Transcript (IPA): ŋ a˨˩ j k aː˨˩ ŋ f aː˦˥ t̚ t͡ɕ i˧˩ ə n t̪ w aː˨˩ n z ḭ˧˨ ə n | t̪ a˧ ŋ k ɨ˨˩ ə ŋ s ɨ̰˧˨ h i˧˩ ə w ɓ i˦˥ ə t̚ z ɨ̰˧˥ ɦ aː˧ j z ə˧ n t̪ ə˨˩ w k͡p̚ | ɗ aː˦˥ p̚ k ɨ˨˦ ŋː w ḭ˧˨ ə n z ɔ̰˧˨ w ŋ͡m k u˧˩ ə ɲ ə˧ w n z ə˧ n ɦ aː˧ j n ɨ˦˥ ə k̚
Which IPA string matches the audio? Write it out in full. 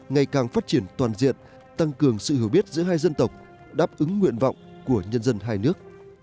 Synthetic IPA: ŋ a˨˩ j k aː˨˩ ŋ f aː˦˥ t̚ t͡ɕ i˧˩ ə n t̪ w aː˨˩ n z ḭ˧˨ ə n | t̪ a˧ ŋ k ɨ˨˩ ə ŋ s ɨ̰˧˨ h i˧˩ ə w ɓ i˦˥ ə t̚ z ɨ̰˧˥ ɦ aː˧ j z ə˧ n t̪ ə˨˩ w k͡p̚ | ɗ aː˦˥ p̚ ʔ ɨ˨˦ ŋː w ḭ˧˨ ə n v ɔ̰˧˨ w ŋ͡m k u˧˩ ə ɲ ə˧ n z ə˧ n ɦ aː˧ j n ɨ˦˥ ə k̚

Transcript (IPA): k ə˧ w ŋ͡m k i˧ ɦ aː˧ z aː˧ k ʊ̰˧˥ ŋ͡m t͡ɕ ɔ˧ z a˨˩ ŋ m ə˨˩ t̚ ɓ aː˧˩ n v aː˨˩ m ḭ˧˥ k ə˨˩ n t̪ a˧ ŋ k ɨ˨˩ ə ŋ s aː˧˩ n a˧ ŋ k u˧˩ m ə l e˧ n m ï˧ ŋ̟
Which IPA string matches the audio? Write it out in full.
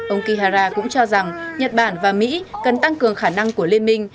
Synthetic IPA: ʔ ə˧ w ŋ͡m k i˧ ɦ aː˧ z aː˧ k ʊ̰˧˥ ŋ͡m t͡ɕ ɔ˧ z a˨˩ ŋ ɲ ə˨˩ t̚ ɓ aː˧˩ n v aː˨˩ m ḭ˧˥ k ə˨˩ n t̪ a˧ ŋ k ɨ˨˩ ə ŋ x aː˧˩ n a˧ ŋ k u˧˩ ə l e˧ n m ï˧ ŋ̟

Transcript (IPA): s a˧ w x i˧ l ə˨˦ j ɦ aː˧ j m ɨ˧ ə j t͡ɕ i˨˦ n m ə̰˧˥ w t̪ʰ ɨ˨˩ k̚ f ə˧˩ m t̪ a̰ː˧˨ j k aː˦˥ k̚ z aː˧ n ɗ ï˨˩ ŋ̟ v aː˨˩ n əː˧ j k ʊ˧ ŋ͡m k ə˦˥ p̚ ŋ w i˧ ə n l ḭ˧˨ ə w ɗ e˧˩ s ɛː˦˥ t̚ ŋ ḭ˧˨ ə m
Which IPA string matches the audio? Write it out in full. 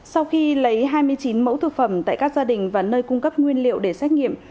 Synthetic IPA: s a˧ w x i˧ l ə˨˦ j ɦ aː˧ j m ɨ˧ ə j t͡ɕ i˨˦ n m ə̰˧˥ w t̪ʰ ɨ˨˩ k̚ f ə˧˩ m t̪ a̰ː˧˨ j k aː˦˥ k̚ z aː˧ ɗ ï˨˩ ŋ̟ v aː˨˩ n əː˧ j k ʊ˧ ŋ͡m k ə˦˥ p̚ ŋ w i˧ ə n l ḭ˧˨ ə w ɗ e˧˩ s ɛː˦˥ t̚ ŋ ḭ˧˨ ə m

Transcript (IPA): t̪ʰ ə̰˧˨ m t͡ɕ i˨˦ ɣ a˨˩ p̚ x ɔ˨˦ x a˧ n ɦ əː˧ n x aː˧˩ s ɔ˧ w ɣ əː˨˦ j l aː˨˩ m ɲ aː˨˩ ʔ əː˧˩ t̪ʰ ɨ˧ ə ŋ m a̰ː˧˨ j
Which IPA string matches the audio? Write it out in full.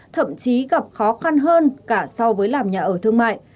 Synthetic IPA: t̪ʰ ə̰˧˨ m t͡ɕ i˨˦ ɣ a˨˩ p̚ x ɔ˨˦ x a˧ n ɦ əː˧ n k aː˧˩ s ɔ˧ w v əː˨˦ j l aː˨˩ m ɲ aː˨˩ ʔ əː˧˩ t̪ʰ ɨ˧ ə ŋ m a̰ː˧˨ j

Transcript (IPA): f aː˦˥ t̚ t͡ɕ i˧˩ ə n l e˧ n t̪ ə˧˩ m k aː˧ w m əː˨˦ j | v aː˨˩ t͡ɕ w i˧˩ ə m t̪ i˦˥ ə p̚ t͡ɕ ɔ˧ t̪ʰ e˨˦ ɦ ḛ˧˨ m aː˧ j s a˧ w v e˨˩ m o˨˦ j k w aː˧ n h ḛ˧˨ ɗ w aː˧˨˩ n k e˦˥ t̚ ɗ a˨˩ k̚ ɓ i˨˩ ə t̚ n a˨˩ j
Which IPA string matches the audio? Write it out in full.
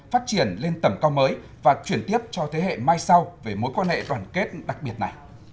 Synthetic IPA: f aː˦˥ t̚ t͡ɕ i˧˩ ə n l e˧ n t̪ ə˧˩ m k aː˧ w m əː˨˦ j | v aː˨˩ t͡ɕ w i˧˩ ə n t̪ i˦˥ ə p̚ t͡ɕ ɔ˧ t̪ʰ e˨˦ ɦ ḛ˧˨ m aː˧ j s a˧ w v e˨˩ m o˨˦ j k w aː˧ n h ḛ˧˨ ɗ w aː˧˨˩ n k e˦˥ t̚ ɗ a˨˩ k̚ ɓ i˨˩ ə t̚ n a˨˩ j

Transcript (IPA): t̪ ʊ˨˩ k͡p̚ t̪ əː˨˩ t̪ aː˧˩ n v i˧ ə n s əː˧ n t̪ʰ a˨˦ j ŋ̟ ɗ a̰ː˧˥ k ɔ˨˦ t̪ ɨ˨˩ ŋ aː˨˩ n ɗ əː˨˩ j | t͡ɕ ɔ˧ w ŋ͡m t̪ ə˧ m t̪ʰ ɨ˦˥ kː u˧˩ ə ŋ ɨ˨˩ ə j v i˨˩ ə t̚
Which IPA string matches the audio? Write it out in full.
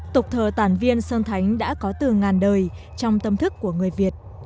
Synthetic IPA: t̪ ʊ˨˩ k͡p̚ t̪ʰ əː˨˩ t̪ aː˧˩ n v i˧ ə n s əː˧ n t̪ʰ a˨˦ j ŋ̟ ɗ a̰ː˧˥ k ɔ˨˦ t̪ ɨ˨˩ ŋ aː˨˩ n ɗ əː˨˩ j | t͡ɕ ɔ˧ w ŋ͡m t̪ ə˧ m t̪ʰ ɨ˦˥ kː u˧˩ ə ŋ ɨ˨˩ ə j v i˨˩ ə t̚

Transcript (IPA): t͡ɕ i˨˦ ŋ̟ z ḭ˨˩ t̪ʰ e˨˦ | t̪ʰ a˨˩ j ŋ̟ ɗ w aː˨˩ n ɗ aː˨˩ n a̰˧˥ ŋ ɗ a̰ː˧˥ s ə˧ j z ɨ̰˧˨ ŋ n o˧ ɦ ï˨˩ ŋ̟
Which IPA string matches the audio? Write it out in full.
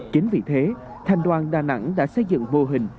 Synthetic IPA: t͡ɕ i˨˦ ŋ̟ v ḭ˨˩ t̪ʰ e˨˦ | t̪ʰ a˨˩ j ŋ̟ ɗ w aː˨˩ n ɗ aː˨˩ n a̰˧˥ ŋ ɗ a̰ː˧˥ s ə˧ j z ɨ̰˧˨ ŋ m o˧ ɦ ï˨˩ ŋ̟

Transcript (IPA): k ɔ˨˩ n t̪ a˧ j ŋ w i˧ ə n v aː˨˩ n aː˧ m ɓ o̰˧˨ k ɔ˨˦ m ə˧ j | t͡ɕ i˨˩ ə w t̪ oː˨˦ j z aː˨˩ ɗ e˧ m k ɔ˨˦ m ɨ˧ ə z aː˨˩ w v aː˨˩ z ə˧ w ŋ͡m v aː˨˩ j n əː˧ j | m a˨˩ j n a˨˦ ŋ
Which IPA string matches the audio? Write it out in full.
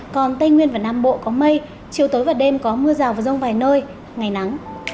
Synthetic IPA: k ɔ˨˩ n t̪ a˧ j ŋ w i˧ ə n v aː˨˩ n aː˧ m ɓ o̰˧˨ k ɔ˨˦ m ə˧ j | t͡ɕ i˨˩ ə w t̪ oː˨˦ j v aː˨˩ ɗ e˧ m k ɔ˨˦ m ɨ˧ ə z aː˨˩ w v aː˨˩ z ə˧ w ŋ͡m v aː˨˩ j n əː˧ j | ŋ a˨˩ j n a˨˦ ŋ

